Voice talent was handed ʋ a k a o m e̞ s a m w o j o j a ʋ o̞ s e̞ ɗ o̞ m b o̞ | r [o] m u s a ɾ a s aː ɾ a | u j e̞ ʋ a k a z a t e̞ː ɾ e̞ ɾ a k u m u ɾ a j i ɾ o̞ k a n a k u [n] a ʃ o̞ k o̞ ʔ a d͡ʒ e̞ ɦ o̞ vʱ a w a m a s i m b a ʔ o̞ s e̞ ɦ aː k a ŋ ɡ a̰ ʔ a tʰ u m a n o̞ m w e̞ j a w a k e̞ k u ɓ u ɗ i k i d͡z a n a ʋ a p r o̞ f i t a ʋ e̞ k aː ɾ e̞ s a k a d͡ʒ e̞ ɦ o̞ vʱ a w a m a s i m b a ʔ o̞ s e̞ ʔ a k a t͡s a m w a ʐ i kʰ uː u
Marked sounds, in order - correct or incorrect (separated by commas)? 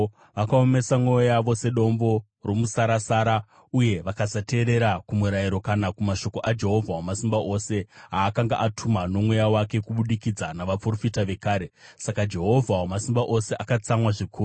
correct, incorrect